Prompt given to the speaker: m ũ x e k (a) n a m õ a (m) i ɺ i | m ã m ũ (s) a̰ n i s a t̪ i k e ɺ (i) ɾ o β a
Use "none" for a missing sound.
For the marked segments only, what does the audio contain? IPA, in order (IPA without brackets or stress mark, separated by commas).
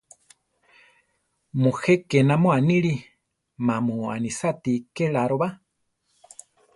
e, n, none, a